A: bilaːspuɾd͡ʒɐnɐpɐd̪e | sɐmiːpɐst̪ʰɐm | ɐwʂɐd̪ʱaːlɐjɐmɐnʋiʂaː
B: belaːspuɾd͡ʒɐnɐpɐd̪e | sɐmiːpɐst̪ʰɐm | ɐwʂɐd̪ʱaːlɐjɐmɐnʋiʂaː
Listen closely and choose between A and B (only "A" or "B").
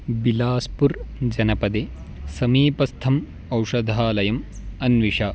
A